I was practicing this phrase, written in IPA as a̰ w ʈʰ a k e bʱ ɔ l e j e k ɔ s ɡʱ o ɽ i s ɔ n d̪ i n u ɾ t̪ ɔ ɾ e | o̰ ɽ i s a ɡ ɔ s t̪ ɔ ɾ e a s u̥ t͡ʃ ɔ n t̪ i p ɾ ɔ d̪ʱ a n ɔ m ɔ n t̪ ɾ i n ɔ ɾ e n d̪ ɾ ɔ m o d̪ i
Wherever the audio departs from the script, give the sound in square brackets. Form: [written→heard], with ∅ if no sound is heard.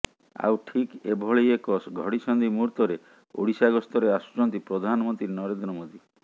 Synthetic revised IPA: a̰ w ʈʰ [a→i] k e bʱ ɔ [l→ɭ] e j e k ɔ s ɡʱ [o→ɔ] ɽ i s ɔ n d̪ i [n→m] u ɾ t̪ ɔ ɾ e | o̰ ɽ i s a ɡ ɔ s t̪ ɔ ɾ e a s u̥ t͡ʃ ɔ n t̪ i p ɾ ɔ d̪ʱ a n ɔ m ɔ n t̪ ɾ i n ɔ ɾ e n d̪ ɾ ɔ m o d̪ i